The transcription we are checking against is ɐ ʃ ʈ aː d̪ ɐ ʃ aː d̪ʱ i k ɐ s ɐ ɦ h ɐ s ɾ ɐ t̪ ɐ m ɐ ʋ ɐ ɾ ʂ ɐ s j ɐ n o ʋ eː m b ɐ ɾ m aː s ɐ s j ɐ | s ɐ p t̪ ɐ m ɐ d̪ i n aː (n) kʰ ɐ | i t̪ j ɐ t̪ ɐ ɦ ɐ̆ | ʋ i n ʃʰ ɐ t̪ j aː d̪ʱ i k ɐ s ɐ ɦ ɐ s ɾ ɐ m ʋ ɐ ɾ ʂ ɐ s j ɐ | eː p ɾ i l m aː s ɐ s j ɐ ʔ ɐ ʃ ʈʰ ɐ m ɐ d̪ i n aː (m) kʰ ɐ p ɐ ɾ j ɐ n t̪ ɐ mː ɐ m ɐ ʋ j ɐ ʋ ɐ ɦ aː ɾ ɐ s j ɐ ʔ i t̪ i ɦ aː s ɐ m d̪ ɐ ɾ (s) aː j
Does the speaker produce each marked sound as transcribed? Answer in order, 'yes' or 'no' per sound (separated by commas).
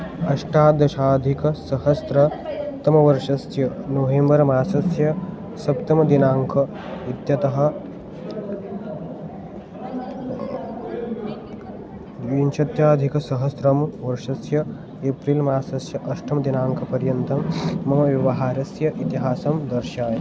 no, no, no